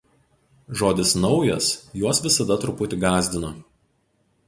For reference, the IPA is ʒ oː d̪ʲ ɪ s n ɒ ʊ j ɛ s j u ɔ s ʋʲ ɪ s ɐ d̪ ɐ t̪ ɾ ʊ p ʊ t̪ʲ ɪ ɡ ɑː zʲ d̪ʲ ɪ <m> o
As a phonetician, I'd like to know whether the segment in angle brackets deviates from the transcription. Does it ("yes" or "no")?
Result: yes